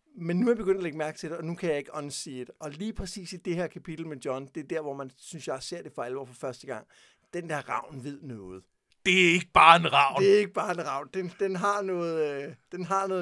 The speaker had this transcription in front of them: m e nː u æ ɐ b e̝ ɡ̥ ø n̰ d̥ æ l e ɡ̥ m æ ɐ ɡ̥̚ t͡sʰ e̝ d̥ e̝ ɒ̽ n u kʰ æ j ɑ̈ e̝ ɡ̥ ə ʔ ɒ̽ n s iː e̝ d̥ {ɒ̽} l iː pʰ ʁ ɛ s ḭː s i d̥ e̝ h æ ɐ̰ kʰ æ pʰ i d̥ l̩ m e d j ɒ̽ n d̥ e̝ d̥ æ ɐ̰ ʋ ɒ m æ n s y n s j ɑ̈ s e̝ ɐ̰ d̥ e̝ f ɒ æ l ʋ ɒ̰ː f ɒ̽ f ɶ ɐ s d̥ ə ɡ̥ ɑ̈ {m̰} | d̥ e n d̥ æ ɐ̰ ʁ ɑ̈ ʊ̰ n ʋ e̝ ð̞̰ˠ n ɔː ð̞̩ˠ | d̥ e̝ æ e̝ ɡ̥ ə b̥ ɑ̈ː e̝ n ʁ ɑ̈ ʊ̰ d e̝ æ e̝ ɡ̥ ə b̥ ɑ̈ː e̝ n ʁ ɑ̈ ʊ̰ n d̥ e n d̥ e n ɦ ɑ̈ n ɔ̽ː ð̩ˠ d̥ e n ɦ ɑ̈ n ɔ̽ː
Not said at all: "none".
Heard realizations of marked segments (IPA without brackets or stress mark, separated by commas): ɒ̽, ŋ̰